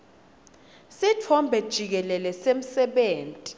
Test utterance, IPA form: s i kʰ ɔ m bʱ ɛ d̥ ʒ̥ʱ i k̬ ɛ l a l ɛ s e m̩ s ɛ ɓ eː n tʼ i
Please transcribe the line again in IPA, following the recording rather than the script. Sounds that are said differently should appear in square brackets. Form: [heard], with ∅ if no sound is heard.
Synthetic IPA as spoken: s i [tʰ] ɔ m bʱ ɛ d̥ ʒ̥ʱ i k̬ ɛ l [ɛ] l ɛ s e m̩ s ɛ ɓ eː n tʼ i